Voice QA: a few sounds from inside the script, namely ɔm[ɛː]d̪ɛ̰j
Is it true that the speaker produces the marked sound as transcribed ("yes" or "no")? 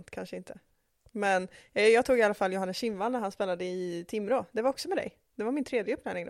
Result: no